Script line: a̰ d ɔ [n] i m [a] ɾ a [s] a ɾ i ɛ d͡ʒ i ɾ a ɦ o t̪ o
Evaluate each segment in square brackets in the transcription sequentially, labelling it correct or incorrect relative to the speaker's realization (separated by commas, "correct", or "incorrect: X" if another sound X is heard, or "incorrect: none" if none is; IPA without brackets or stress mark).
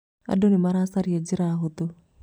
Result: correct, correct, correct